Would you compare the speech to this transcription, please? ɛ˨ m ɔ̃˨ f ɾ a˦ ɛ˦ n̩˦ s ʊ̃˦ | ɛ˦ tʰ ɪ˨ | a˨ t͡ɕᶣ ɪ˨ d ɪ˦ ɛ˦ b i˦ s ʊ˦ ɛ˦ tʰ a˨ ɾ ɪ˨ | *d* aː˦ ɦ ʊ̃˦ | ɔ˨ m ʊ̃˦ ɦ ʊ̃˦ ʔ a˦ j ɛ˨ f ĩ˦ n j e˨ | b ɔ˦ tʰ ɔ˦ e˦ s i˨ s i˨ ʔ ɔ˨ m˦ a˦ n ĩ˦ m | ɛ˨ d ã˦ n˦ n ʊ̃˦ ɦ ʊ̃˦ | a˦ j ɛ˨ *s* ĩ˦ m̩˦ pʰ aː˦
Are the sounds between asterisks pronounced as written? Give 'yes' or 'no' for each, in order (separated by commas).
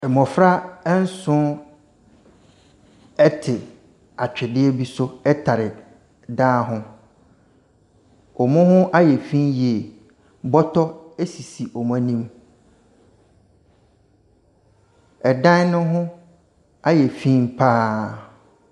yes, no